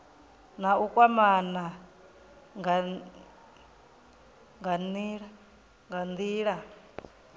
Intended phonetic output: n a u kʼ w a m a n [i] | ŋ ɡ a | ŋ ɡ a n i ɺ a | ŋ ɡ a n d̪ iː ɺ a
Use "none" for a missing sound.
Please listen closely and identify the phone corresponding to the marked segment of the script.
a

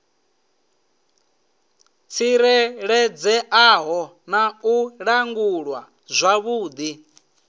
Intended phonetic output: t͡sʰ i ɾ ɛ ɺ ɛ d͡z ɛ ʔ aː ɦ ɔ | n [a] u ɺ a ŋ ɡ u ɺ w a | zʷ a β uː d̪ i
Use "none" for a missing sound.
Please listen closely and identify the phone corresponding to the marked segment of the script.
a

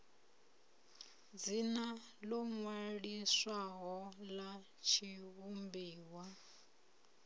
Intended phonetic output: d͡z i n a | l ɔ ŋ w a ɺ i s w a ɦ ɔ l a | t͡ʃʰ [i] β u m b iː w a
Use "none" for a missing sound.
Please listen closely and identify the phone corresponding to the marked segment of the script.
i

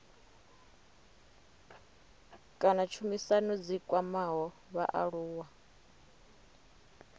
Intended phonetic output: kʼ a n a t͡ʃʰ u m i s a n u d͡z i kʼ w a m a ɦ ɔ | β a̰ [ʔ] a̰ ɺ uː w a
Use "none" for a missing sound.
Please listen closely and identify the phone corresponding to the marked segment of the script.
ʔ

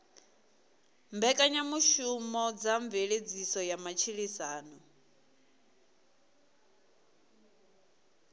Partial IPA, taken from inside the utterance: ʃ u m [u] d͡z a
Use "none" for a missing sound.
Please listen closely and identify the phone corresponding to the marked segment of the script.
ɔ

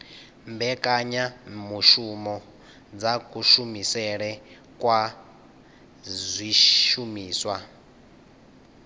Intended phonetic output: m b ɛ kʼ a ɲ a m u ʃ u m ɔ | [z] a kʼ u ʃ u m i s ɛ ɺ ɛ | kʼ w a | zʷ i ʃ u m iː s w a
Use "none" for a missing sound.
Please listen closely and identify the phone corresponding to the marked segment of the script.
d͡z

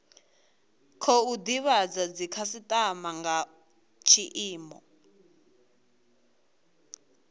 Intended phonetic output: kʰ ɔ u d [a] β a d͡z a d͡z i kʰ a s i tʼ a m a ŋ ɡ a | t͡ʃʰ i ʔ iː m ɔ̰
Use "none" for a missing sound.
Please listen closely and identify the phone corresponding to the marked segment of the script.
i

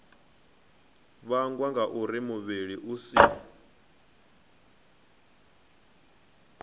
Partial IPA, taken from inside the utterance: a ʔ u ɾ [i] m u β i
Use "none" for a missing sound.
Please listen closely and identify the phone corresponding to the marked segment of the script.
i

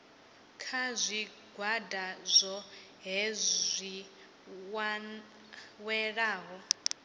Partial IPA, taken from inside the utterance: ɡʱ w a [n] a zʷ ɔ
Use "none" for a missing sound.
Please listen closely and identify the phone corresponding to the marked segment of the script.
d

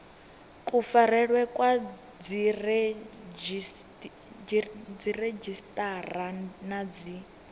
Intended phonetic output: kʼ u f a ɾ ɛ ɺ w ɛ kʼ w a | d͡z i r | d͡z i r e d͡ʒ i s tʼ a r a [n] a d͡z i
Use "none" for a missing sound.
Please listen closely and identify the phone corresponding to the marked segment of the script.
n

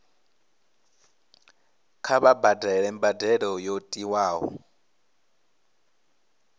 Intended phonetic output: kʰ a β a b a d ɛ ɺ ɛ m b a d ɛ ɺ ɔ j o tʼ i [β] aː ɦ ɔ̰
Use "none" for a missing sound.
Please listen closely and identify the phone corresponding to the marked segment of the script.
w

